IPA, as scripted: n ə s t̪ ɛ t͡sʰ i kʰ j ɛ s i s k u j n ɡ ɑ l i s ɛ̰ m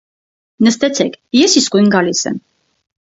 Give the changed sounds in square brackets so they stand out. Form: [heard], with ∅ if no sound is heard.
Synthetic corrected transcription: n ə s t̪ ɛ t͡sʰ [ɛ] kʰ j ɛ s i s k u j n ɡ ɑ l i s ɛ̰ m